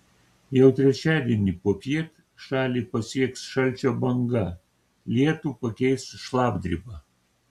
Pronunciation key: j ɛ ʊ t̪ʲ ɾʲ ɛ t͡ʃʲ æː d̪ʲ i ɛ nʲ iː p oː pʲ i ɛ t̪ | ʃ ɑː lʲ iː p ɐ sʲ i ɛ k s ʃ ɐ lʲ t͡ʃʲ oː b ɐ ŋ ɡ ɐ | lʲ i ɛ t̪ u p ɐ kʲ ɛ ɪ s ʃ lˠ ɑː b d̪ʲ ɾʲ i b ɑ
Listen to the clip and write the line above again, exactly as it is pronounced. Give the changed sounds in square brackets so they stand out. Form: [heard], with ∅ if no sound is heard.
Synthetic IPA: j ɛ ʊ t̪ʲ ɾʲ ɛ t͡ʃʲ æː d̪ʲ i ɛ nʲ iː p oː pʲ i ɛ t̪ | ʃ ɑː lʲ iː p ɐ sʲ i ɛ k s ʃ ɐ lʲ t͡ʃʲ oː b ɐ ŋ ɡ ɐ | lʲ i ɛ t̪ u p ɐ kʲ ɛ ɪ s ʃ lˠ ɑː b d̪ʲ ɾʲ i b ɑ